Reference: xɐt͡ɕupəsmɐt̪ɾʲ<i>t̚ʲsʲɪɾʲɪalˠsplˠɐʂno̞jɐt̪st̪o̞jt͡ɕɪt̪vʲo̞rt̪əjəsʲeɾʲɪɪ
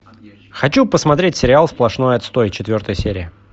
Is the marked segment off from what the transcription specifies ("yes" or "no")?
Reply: yes